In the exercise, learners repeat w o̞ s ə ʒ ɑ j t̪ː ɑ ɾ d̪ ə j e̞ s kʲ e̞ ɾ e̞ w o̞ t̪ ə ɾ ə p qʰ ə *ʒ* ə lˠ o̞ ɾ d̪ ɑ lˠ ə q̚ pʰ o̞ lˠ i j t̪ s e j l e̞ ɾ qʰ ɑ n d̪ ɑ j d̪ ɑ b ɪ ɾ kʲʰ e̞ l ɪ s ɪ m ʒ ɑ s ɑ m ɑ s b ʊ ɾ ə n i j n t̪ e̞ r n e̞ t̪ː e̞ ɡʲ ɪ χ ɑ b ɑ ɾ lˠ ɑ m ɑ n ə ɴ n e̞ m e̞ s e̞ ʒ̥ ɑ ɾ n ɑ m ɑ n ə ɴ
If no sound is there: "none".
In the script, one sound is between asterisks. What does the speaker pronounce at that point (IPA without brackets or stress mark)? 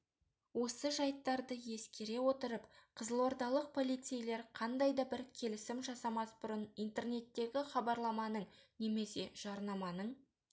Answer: z